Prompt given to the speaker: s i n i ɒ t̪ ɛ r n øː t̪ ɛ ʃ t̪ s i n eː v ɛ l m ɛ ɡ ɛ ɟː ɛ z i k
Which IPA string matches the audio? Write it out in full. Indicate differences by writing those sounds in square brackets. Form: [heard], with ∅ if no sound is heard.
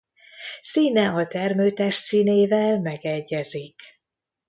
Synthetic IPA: s [iː] n [ɛ] ɒ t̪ ɛ r [m] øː t̪ ɛ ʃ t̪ s [iː] n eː v ɛ l m ɛ ɡ ɛ ɟː ɛ z i k